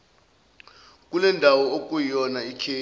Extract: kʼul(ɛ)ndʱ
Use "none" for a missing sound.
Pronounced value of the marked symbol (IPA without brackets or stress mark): ɛ